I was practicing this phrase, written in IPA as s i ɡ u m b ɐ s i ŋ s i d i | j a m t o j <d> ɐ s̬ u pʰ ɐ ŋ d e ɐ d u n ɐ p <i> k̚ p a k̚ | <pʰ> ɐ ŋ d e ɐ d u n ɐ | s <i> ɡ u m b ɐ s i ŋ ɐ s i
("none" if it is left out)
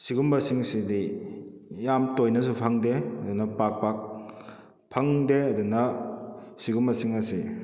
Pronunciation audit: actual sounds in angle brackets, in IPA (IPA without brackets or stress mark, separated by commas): n, a, pʰ, i